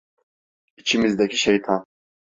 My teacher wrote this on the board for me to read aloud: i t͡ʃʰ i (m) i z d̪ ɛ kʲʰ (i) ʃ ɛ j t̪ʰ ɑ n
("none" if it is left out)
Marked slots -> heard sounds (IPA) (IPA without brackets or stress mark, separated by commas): m, i